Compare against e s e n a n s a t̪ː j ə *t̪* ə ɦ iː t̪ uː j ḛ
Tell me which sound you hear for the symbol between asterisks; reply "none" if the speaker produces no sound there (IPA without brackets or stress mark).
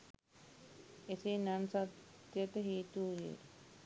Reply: t̪